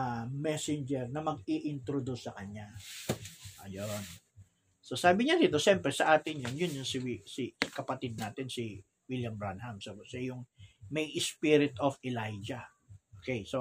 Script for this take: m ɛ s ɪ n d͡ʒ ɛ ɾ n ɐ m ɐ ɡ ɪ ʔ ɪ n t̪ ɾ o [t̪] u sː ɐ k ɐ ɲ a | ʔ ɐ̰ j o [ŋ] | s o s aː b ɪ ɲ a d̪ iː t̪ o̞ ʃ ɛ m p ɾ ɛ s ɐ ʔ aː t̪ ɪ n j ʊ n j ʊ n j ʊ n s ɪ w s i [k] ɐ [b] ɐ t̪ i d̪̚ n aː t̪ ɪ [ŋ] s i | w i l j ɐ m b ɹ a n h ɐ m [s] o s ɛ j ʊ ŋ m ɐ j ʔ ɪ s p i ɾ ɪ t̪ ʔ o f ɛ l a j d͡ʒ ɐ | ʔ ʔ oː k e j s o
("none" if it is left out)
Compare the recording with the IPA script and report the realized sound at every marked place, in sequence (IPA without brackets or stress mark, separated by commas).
d̪, n, k, p, n, s